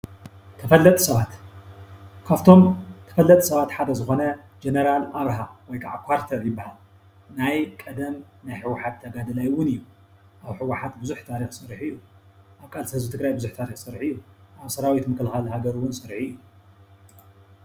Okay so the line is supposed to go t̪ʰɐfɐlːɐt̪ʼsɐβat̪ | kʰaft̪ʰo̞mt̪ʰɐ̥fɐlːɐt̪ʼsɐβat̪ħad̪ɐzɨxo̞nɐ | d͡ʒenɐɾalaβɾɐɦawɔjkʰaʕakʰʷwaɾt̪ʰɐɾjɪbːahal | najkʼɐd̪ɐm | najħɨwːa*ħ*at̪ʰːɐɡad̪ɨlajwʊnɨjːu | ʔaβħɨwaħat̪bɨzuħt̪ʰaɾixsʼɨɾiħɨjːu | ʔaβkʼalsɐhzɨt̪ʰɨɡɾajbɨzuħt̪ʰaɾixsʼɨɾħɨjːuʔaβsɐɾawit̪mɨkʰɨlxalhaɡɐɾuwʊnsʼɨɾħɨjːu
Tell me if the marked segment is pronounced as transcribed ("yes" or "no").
yes